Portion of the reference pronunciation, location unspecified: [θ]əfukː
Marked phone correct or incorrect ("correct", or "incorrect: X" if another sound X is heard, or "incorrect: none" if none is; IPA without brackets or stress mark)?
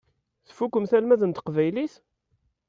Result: correct